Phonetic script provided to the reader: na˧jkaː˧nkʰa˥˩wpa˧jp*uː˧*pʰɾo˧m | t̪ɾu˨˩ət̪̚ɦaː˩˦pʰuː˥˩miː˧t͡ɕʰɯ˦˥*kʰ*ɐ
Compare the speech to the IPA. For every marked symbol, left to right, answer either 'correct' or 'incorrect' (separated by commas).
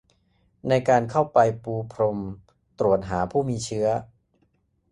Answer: correct, incorrect